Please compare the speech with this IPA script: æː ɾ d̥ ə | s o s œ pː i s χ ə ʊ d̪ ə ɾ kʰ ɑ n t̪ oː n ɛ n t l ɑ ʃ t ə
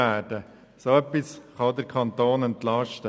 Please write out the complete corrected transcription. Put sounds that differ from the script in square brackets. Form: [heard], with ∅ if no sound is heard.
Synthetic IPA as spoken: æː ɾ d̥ ə | s o [∅] œ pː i s χ [ɑ] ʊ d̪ ə ɾ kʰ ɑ n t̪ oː n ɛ n t l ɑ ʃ t ə